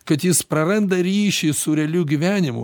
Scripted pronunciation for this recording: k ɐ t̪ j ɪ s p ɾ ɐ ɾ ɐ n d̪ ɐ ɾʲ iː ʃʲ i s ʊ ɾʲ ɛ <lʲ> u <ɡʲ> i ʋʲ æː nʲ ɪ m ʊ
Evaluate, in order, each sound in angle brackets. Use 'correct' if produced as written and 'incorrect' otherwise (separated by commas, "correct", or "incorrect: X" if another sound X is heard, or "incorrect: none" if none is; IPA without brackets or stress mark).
correct, correct